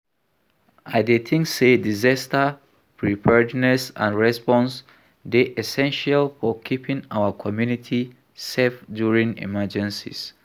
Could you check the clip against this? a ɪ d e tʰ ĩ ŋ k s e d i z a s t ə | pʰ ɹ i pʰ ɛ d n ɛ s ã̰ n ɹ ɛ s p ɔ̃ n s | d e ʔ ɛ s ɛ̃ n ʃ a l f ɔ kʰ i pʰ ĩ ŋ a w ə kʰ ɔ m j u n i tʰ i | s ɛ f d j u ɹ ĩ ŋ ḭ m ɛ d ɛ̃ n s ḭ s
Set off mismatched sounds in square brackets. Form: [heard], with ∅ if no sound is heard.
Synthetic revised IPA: a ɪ d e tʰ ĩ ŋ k s e d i z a s t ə | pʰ ɹ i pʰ ɛ d n ɛ s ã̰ n ɹ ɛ s p ɔ̃ n s | d e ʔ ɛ s ɛ̃ n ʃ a l f ɔ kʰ i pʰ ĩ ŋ a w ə kʰ ɔ m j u n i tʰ i | s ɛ f d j u ɹ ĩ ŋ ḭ m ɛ [d͡ʒ] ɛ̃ n s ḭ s